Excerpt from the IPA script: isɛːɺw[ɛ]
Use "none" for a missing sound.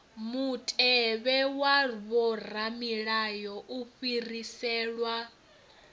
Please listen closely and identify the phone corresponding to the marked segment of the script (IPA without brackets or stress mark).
a